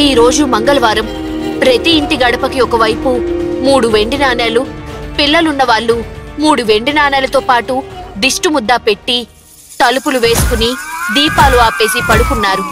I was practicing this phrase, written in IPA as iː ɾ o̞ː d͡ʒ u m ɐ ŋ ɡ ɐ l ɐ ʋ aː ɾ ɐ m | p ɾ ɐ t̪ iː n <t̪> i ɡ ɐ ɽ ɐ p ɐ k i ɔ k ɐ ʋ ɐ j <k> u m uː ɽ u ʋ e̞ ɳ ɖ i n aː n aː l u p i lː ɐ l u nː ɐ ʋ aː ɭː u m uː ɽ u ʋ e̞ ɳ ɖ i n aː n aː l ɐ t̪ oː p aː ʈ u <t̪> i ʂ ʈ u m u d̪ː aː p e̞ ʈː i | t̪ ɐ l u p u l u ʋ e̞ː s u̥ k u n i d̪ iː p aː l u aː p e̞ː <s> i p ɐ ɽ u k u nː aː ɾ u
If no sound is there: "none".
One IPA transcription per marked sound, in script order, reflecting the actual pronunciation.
t̪, p, d̪, s

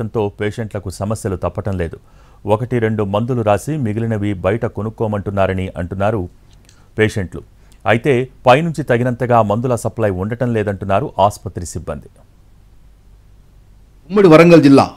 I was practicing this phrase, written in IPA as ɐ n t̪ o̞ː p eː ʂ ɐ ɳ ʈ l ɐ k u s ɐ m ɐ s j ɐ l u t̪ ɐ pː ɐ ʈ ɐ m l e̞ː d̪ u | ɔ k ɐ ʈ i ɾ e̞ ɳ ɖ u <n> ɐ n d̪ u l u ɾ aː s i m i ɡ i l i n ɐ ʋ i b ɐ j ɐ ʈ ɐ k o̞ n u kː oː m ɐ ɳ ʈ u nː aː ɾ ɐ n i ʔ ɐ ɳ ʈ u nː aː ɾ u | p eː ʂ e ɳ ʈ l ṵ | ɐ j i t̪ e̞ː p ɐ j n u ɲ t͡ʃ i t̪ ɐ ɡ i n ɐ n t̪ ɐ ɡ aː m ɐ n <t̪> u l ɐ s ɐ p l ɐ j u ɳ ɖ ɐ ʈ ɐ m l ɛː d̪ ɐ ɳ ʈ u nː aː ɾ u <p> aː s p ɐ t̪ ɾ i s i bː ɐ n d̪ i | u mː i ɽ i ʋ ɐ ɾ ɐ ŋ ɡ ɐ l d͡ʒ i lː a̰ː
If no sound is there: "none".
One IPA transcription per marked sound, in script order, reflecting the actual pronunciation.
m, d̪, ʔ

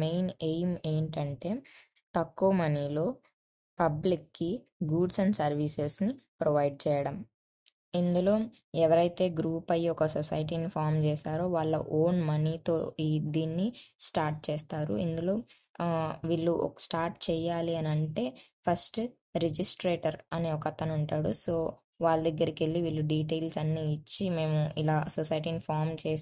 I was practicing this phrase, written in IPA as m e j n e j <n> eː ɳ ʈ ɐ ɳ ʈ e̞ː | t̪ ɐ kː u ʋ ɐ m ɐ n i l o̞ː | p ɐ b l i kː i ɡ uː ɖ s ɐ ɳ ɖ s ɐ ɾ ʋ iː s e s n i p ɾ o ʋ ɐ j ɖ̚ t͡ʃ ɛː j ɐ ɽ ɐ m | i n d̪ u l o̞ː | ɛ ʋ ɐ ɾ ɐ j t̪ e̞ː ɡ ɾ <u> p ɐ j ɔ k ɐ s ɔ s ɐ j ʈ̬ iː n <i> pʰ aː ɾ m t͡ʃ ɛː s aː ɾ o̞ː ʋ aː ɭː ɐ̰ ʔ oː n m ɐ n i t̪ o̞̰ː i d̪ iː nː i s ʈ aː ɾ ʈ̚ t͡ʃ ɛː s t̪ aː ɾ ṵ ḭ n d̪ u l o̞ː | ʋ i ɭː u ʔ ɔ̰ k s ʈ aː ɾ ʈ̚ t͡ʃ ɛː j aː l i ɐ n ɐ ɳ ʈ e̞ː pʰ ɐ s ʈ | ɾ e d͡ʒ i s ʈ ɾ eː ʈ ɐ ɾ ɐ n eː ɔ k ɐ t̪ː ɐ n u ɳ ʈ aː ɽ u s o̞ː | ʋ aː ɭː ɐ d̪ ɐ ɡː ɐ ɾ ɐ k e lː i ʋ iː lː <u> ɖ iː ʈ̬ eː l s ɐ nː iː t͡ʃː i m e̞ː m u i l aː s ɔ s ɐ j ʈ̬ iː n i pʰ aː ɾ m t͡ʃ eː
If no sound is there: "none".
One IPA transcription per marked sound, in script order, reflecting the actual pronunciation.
m, uː, i, u

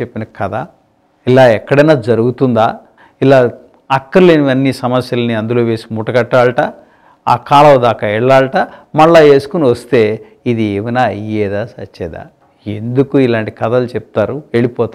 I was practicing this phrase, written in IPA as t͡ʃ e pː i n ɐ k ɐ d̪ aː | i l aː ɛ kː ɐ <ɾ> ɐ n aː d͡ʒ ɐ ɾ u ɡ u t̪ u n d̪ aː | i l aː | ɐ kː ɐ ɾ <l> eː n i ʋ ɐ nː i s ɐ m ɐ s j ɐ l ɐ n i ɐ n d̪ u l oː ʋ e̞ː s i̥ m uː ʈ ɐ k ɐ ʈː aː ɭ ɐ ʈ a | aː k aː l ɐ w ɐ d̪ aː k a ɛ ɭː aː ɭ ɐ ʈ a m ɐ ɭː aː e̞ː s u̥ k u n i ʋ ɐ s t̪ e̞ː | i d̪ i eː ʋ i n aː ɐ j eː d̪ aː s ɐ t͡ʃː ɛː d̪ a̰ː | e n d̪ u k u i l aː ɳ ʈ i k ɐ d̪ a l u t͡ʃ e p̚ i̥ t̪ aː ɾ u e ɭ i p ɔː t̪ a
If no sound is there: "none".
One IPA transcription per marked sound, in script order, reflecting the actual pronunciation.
ɽ, l

